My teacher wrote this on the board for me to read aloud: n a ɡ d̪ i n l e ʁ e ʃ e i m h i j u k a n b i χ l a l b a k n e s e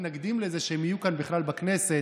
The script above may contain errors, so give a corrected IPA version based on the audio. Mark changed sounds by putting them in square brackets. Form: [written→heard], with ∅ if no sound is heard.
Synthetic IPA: n a ɡ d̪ i [n→m] l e [ʁ→z] e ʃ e [i→e] m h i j u k a n b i χ l a l b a k n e s e